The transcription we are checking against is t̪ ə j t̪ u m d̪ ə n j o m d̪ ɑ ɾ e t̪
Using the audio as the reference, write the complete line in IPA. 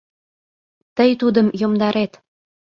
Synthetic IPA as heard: t̪ ə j t̪ u d̪ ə m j o m d̪ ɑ ɾ e t̪